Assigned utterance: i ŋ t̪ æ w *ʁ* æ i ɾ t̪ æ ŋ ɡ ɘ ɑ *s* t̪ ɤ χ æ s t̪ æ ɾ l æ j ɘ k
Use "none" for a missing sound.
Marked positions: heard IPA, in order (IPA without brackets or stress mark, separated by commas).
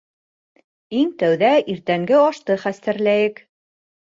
ð, ʃ